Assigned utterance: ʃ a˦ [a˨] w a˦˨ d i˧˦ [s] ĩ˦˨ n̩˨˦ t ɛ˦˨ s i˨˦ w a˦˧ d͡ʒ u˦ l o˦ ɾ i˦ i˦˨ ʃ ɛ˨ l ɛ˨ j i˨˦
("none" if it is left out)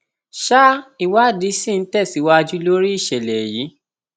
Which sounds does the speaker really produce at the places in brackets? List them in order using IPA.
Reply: i˨, s

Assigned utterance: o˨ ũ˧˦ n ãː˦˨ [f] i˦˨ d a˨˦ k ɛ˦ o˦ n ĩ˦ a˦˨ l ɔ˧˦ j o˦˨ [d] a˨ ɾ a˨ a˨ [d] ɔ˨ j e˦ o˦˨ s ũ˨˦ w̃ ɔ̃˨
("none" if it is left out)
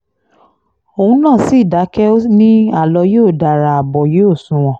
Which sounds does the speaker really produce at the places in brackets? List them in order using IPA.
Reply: s, d, b

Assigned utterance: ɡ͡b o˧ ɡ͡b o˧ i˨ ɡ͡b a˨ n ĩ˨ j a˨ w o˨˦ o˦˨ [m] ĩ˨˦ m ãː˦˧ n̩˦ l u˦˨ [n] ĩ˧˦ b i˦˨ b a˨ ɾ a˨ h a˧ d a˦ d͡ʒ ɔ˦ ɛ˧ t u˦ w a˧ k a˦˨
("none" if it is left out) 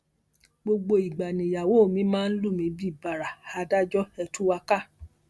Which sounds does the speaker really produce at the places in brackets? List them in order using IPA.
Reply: m, m

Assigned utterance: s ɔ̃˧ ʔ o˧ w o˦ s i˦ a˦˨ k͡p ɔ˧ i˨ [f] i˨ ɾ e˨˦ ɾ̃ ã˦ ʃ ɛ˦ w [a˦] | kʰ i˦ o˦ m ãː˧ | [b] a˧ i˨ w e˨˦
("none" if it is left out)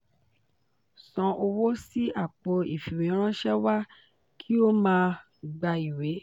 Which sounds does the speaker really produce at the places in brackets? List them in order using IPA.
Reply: f, a˦, ɡ͡b

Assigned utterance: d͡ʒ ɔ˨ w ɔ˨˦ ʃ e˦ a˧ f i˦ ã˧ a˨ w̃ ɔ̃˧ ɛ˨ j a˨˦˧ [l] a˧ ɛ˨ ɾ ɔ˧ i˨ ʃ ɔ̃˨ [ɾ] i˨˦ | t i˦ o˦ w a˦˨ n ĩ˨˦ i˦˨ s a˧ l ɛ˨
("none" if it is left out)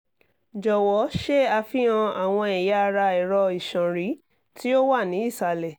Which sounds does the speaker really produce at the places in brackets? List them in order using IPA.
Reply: ɾ, ɾ

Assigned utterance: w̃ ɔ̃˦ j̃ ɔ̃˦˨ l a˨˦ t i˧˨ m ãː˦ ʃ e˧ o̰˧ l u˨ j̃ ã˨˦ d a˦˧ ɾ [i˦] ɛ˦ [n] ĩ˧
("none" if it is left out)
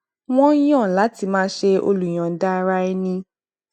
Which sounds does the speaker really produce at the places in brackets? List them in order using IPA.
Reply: a˦, n

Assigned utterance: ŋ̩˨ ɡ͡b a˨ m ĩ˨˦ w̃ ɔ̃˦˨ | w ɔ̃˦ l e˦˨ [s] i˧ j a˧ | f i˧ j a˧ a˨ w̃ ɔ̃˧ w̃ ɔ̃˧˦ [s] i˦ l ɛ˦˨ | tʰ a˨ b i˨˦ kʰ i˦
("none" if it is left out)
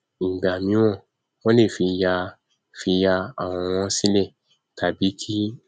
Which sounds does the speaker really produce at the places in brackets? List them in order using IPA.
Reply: f, s

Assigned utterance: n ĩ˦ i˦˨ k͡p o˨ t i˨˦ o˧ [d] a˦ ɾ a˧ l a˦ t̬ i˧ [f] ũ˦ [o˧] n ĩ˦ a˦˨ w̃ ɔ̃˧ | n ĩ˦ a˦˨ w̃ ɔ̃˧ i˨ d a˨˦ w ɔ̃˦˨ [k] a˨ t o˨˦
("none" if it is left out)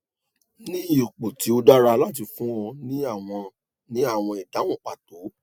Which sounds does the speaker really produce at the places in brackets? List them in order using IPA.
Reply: d, f, ɔ˧, k͡p

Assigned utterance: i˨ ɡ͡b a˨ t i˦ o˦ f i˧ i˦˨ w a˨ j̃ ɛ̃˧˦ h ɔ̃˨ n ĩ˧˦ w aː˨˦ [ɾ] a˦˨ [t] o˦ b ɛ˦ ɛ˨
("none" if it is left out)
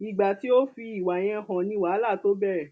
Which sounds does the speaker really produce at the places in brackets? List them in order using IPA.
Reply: l, t

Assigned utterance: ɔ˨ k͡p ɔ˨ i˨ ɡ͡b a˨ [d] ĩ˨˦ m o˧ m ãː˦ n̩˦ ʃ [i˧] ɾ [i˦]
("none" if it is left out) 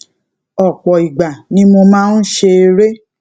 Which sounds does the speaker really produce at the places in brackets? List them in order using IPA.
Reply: n, e˧, e˦

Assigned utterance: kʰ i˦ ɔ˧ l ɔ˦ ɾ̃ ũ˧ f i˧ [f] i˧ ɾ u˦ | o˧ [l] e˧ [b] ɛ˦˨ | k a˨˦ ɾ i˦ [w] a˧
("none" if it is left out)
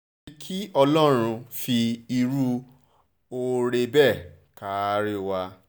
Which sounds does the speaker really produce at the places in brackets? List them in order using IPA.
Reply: none, ɾ, b, w

